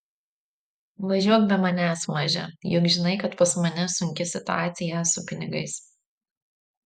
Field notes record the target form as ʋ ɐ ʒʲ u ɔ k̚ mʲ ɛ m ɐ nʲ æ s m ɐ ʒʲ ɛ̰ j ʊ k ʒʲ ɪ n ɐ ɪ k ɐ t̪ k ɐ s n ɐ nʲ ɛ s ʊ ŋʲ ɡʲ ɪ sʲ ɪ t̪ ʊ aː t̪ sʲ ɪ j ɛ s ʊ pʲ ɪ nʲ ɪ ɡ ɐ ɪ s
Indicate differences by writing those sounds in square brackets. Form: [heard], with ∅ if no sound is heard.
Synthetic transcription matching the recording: ʋ ɐ ʒʲ u ɔ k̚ [bʲ] ɛ m ɐ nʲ æ s m ɐ ʒʲ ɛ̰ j ʊ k ʒʲ ɪ n ɐ ɪ k ɐ t̪ [p] ɐ s [m] ɐ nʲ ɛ s ʊ ŋʲ [kʲ] ɪ sʲ ɪ t̪ ʊ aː t̪ sʲ ɪ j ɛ s ʊ pʲ ɪ nʲ ɪ ɡ ɐ ɪ s